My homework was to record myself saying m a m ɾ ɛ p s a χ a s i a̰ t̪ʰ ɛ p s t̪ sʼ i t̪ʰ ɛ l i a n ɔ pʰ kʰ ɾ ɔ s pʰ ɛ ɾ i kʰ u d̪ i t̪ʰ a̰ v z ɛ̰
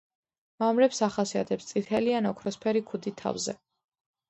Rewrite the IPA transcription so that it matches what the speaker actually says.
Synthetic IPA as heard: m a m ɾ ɛ p s a χ a s i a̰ t̪ʰ ɛ p s t̪ sʼ i t̪ʰ ɛ l i a n ɔ kʰ ɾ ɔ s pʰ ɛ ɾ i kʰ u d̪ i t̪ʰ a̰ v z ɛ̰

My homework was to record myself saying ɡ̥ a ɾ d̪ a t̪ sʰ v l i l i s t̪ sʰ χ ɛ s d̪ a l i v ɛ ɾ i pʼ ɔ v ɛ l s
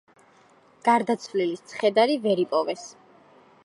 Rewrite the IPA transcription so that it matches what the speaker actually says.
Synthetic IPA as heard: ɡ̥ a ɾ d̪ a t̪ sʰ v l i l i s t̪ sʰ χ ɛ d̪ a ɾ i v ɛ ɾ i pʼ ɔ v ɛ s

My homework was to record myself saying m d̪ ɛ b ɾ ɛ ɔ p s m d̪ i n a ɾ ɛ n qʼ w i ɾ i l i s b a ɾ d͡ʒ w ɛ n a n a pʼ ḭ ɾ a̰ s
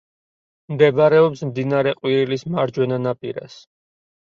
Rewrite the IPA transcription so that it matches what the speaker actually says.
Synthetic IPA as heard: m d̪ ɛ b ɾ ɛ ɔ p s m d̪ i n a ɾ ɛ qʼ w i ɾ i l i s m a ɾ d͡ʒ w ɛ n a n a pʼ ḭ ɾ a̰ s

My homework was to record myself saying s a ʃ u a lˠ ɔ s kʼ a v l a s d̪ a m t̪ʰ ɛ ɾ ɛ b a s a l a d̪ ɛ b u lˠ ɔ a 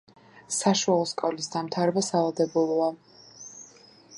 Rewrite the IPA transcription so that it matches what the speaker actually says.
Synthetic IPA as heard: s a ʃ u a lˠ ɔ s kʼ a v l i s d̪ a m t̪ʰ a ɾ ɛ b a s a l a d̪ ɛ b u lˠ ɔ a

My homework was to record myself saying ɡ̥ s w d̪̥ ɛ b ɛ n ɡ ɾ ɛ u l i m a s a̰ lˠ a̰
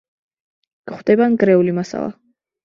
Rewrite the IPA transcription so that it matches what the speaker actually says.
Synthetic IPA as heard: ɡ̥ χ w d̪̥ ɛ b a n ɡ ɾ ɛ u l i m a s a̰ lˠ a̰

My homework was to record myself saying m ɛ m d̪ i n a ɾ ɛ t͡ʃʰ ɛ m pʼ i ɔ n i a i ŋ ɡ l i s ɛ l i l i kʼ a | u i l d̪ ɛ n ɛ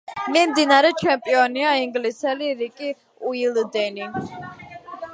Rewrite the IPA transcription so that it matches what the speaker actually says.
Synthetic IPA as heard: m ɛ m d̪ i n a ɾ ɛ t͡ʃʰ ɛ m pʼ i ɔ n i a i ŋ ɡ l i s ɛ l i ɾ i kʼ i | u i l d̪ ɛ n i

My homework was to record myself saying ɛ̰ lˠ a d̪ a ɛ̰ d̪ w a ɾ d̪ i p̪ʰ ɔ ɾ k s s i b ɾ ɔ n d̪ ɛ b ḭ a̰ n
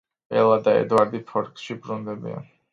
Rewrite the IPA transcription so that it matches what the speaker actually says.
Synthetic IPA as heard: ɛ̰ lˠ a d̪ a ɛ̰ d̪ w a ɾ d̪ i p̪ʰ ɔ ɾ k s ʃ i b ɾ u n d̪ ɛ b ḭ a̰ n

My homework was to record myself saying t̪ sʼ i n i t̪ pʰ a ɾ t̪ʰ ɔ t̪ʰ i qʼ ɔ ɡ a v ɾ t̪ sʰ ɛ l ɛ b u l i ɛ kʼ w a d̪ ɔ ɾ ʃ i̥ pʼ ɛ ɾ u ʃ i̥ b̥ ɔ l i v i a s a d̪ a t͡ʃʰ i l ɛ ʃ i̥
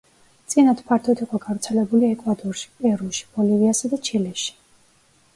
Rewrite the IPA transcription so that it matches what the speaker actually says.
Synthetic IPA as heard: t̪ sʼ i n a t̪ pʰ a ɾ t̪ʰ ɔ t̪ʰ i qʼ ɔ ɡ a v ɾ t̪ sʰ ɛ l ɛ b u l i ɛ kʼ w a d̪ ɔ ɾ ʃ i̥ pʼ ɛ ɾ u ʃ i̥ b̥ ɔ l i v i a s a d̪ a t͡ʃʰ i l ɛ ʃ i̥

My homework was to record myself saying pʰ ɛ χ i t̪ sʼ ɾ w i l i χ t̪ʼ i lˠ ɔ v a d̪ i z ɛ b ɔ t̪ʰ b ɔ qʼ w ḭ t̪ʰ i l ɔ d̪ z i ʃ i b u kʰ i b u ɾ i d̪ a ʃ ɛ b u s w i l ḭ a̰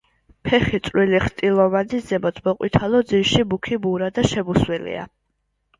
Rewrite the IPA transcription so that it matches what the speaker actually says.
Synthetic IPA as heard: pʰ ɛ χ i t̪ sʼ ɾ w i l i χ t̪ʼ i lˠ ɔ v a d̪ i z ɛ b ɔ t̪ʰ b ɔ qʼ w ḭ t̪ʰ a l ɔ d̪ z i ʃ i b u kʰ i b u ɾ a d̪ a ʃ ɛ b u s w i l ḭ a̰

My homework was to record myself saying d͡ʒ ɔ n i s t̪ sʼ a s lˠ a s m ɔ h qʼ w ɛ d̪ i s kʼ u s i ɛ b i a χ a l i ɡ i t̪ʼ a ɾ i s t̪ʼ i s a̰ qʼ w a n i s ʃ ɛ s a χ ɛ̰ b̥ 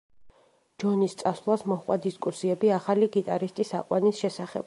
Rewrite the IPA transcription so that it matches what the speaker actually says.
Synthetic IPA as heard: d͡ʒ ɔ n i s t̪ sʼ a s lˠ a s m ɔ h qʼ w a d̪ i s kʼ u s i ɛ b i a χ a l i ɡ i t̪ʼ a ɾ i s t̪ʼ i s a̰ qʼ w a n i s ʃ ɛ s a χ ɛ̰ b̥

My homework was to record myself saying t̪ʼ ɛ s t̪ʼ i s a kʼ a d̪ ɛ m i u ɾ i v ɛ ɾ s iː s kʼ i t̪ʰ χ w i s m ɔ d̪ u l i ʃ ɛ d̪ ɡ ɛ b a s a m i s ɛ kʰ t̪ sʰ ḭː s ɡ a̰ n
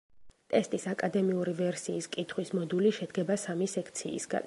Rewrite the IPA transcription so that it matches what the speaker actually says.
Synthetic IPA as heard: t̪ʼ ɛ s t̪ʼ i s a kʼ a d̪ ɛ m i u ɾ i v ɛ ɾ s iː s kʼ i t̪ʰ χ w i s m ɔ d̪ u l i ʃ ɛ d̪ ɡ ɛ b a s a m i s ɛ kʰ t̪ sʰ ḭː s ɡ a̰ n

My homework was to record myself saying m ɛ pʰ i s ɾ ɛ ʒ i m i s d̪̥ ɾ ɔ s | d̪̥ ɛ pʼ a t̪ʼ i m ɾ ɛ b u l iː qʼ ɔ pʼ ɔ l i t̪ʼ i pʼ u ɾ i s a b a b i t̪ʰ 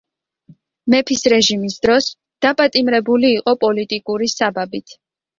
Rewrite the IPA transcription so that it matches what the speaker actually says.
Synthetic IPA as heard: m ɛ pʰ i s ɾ ɛ ʒ i m i s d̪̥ ɾ ɔ s | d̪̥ a pʼ a t̪ʼ i m ɾ ɛ b u l iː qʼ ɔ pʼ ɔ l i t̪ʼ i kʼ u ɾ i s a b a b i t̪ʰ

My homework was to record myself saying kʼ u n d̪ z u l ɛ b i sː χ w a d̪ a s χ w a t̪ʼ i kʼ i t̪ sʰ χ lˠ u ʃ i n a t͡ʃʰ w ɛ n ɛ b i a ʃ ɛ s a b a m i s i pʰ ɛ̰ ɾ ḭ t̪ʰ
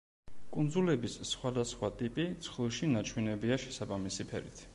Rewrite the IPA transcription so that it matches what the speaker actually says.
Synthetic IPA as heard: kʼ u n d̪ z u l ɛ b i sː χ w a d̪ a s χ w a t̪ʼ i pʼ i t̪ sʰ χ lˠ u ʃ i n a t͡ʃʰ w ɛ n ɛ b i a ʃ ɛ s a b a m i s i pʰ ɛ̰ ɾ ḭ t̪ʰ

